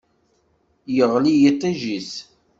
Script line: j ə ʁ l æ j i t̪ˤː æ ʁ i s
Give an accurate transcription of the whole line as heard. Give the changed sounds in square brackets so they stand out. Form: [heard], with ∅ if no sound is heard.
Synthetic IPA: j ə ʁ l [i] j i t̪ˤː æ [ʒ] i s